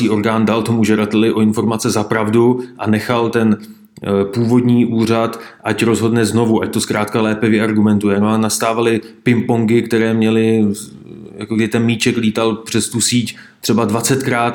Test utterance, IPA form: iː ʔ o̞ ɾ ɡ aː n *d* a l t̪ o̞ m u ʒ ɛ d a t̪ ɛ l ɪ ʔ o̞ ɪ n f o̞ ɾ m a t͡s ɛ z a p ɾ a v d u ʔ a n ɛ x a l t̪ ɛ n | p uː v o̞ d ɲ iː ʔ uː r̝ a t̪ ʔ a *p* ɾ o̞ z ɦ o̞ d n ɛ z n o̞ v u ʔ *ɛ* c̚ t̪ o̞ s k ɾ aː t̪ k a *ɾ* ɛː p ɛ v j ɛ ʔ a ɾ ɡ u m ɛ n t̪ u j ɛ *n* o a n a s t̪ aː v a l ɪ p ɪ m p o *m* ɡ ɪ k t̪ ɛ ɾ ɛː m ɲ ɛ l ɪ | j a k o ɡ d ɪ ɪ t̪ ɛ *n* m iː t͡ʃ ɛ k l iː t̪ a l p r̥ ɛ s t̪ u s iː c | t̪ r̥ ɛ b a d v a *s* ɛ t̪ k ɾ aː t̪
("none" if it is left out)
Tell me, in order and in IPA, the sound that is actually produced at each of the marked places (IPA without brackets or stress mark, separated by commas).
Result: d, c, a, l, n, ŋ, n, t͡s